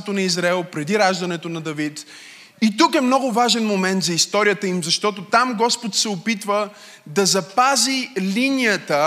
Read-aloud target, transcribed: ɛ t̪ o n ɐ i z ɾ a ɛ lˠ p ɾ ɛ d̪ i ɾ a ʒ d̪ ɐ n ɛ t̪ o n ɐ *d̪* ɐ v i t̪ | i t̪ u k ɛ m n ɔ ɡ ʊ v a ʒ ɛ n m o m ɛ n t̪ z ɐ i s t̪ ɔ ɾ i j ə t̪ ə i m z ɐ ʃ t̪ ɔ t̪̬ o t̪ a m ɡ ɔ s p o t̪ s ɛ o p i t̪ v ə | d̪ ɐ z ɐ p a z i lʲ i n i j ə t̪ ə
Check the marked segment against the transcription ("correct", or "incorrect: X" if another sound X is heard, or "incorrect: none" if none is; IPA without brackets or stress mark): correct